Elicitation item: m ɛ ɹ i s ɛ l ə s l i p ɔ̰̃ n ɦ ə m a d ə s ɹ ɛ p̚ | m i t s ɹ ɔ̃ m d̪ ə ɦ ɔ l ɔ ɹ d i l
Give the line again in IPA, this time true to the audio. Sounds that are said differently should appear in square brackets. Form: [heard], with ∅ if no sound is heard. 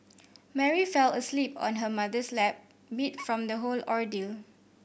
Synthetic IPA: m ɛ ɹ i [f] ɛ l ə s l i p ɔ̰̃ n ɦ ə m a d ə s [l] ɛ p̚ | m i t [f] ɹ ɔ̃ m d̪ ə ɦ [o] l ɔ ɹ d i l